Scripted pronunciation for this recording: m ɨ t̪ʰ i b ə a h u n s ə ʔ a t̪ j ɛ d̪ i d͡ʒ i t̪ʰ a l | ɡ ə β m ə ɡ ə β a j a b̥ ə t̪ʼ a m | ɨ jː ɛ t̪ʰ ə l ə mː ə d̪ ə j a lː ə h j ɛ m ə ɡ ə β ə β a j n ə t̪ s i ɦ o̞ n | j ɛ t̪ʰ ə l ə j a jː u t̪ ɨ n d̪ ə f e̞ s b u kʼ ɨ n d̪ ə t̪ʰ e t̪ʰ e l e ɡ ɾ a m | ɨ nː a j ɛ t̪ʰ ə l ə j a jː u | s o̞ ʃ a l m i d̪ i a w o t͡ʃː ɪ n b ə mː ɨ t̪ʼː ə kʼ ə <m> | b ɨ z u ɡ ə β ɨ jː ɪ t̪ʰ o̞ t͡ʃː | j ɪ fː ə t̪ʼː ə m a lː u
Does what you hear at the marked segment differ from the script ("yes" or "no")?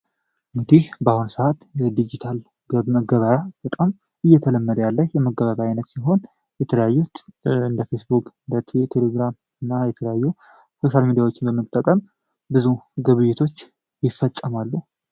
no